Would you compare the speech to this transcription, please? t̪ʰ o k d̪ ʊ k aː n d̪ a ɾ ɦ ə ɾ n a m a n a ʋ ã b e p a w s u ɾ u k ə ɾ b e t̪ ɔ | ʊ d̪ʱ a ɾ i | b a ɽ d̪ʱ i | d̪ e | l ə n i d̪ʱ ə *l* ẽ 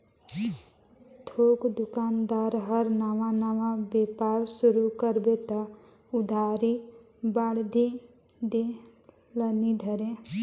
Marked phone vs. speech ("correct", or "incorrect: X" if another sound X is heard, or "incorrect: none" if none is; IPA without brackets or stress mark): incorrect: ɾ